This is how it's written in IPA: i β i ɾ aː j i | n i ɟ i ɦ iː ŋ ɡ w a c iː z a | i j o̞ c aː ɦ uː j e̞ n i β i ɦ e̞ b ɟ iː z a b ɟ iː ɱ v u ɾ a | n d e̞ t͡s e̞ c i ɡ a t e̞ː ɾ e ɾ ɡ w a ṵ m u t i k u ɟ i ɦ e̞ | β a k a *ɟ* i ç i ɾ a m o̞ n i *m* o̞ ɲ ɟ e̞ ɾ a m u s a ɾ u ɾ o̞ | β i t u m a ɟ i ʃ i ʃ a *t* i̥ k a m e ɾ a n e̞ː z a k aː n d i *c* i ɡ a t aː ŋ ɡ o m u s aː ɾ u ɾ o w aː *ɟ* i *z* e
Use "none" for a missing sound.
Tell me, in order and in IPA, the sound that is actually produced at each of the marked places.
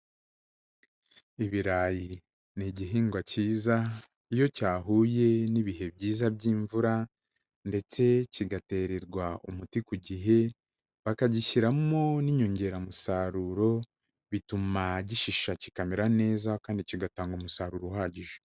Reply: ɟ, ɲ, c, c, ɟ, ʒ

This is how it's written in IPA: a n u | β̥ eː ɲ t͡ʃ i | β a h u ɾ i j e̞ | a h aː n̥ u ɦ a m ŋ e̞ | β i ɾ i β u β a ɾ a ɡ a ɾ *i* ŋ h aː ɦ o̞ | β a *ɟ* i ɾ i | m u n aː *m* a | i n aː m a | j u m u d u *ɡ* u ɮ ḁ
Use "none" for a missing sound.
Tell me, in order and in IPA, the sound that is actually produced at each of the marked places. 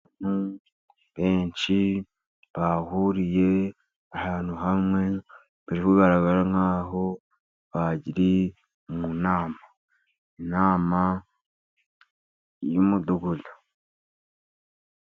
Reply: a, ɟ, m, ɡ

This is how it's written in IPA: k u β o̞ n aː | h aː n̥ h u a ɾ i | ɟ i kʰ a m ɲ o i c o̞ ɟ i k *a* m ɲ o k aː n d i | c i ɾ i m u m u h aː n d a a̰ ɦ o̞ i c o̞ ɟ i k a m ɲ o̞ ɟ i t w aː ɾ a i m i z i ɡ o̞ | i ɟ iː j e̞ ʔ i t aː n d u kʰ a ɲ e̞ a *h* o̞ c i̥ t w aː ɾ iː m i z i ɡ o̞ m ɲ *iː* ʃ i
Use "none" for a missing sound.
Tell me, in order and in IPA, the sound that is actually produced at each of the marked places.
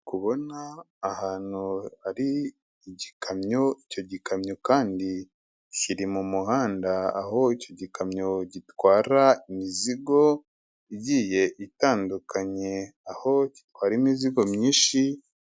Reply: a, h, iː

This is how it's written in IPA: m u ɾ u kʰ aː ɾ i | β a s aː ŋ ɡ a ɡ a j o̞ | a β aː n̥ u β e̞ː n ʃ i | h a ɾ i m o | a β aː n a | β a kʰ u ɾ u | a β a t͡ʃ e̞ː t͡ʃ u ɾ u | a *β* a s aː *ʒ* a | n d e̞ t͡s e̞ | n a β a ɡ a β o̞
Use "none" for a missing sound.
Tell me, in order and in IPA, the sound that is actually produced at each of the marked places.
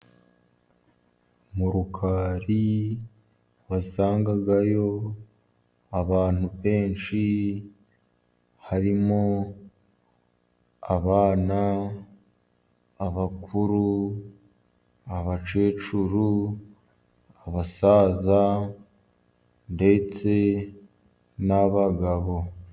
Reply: β, z

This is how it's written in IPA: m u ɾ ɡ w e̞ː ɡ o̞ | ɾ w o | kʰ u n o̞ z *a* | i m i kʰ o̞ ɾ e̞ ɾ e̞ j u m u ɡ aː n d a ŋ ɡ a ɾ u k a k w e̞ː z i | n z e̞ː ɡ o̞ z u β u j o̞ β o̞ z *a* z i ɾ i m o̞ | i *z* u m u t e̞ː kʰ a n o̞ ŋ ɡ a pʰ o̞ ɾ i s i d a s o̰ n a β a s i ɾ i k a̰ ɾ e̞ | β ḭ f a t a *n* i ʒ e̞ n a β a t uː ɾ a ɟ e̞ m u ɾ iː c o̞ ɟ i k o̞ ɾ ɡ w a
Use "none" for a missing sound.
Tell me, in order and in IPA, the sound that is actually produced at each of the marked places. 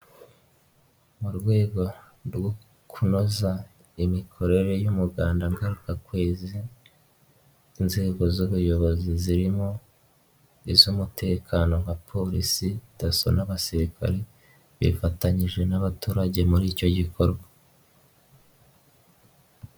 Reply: a, i, z, ɲ

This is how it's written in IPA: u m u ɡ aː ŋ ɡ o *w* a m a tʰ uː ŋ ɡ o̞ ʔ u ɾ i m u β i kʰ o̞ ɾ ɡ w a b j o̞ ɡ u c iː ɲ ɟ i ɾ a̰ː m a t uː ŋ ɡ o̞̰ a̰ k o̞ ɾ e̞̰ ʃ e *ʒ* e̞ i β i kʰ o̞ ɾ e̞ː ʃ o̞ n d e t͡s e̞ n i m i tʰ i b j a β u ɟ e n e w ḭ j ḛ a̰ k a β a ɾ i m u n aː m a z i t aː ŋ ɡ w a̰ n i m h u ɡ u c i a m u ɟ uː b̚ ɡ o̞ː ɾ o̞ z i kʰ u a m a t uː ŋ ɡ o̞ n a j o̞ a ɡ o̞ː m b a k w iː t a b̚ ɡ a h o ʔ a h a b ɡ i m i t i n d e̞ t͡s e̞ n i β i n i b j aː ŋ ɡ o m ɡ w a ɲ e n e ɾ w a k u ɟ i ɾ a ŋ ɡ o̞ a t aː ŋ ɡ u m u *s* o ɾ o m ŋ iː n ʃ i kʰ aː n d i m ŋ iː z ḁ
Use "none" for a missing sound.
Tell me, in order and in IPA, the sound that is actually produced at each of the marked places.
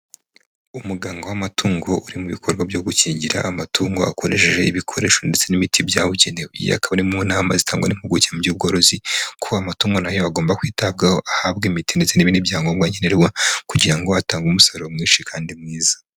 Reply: w, ʒ, s

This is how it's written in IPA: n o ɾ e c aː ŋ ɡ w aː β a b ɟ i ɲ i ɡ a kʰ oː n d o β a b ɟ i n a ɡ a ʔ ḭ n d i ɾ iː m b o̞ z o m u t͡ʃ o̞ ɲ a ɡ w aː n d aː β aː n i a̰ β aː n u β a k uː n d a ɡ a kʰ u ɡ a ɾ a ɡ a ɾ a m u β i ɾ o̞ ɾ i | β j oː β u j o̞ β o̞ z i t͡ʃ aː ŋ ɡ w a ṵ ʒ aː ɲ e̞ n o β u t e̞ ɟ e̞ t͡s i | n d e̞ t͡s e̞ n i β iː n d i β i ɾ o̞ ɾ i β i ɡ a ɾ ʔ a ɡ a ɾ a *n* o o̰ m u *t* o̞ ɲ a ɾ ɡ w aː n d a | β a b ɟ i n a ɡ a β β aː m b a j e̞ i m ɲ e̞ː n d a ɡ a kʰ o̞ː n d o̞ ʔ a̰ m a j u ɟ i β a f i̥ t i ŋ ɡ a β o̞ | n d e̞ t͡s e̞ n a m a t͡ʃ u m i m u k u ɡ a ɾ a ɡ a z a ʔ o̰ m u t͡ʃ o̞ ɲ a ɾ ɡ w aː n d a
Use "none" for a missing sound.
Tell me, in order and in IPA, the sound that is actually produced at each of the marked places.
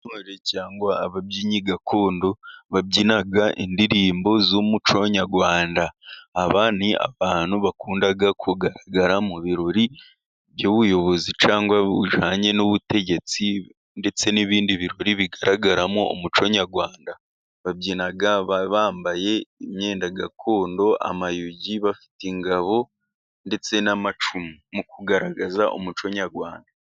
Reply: m, t͡ʃ

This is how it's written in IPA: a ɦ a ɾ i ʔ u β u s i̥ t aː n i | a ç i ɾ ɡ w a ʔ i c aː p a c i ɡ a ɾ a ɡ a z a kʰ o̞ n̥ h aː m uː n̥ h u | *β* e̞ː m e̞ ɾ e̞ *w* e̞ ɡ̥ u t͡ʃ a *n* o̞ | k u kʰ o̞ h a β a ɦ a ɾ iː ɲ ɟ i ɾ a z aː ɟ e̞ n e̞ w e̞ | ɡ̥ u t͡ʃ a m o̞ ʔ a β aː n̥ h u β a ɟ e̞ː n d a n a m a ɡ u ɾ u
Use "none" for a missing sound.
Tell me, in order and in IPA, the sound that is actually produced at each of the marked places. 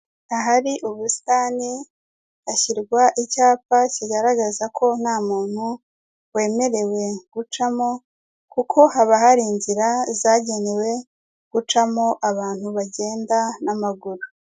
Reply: w, w, m

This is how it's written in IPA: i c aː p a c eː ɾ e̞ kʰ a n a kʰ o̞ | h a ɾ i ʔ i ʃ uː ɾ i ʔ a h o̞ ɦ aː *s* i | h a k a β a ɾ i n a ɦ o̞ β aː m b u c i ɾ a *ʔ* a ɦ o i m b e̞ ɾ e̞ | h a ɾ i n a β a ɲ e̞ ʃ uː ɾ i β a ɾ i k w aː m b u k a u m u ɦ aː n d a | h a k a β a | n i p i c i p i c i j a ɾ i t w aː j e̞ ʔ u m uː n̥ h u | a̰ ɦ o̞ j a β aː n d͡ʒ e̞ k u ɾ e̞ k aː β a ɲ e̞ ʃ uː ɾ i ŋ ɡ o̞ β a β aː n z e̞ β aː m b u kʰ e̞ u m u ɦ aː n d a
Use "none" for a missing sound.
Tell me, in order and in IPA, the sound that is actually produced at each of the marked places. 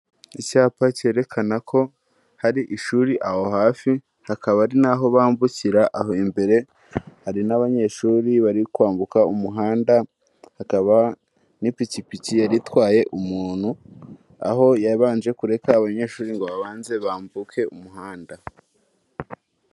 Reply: f, ʔ

